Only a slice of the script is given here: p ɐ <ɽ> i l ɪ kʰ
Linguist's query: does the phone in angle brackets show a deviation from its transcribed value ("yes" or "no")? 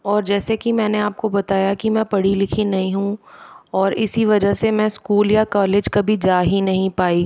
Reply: no